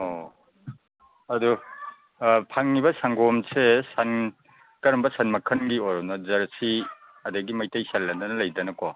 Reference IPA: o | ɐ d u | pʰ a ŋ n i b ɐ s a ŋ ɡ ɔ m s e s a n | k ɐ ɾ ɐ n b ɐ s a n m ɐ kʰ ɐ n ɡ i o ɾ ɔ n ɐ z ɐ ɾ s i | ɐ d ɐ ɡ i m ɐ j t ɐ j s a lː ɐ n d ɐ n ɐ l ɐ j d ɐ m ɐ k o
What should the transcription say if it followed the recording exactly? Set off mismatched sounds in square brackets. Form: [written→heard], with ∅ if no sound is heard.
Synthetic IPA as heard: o | ɐ d u | pʰ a ŋ n i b ɐ s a ŋ ɡ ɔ m s e s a n | k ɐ ɾ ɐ [n→m] b ɐ s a n m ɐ kʰ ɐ n ɡ i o ɾ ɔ n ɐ z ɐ ɾ s i | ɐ d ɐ ɡ i m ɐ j t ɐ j s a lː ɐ n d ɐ n ɐ l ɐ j d ɐ [m→n] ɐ k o